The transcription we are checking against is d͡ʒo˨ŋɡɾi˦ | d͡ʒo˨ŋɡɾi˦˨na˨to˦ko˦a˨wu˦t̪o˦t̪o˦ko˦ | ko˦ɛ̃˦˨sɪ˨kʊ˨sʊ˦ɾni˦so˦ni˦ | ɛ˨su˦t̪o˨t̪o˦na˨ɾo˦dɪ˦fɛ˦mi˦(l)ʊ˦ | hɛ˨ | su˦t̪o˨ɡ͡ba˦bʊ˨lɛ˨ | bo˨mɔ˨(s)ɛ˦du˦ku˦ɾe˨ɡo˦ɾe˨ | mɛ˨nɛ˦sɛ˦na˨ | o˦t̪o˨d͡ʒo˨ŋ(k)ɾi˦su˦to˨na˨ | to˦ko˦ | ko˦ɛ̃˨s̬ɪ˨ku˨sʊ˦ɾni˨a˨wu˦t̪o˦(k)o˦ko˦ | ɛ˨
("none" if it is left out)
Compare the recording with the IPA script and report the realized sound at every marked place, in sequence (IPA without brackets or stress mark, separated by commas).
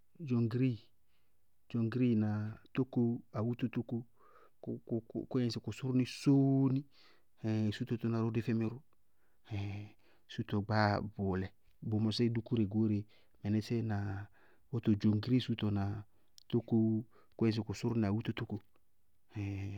ɾ, s, ɡ, t